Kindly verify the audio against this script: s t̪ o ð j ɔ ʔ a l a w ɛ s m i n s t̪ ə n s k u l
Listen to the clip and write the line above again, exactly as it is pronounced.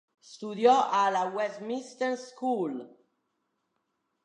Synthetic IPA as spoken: s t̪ u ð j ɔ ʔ a l a w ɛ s m i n s t̪ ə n s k u l